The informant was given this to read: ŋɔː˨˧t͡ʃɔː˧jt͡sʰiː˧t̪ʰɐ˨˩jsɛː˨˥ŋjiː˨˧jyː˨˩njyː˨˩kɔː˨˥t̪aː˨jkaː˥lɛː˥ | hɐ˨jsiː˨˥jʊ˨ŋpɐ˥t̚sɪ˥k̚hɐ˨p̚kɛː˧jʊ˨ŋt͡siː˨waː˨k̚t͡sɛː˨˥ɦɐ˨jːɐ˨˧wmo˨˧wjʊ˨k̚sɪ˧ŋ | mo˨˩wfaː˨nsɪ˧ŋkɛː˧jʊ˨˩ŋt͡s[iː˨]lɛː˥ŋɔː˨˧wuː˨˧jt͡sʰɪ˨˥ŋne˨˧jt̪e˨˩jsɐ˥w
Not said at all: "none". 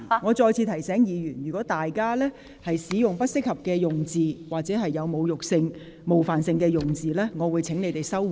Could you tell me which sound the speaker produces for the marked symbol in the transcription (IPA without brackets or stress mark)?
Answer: iː˨